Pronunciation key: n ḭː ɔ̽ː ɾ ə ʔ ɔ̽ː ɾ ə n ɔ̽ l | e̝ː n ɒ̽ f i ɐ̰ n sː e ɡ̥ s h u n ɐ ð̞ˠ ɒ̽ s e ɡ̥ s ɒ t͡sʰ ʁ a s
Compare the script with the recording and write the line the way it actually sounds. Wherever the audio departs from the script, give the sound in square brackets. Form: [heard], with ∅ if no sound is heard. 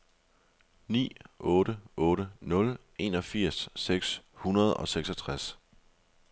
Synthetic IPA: n ḭː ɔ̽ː ɾ ə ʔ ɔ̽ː ɾ ə n ɔ̽ l | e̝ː n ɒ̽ f i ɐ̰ [∅] sː e ɡ̥ s h u n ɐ ð̞ˠ ɒ̽ s e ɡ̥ s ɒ t͡sʰ ʁ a s